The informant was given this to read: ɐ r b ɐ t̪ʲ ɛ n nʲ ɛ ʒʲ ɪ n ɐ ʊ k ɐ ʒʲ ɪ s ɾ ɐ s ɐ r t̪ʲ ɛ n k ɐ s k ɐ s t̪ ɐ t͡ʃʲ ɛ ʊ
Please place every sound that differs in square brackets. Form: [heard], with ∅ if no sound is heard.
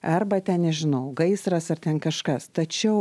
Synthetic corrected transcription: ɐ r b ɐ t̪ʲ ɛ n nʲ ɛ ʒʲ ɪ n ɐ ʊ [ɡ] ɐ [∅] ɪ s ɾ ɐ s ɐ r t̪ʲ ɛ n k ɐ [ʃ] k ɐ s t̪ ɐ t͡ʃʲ ɛ ʊ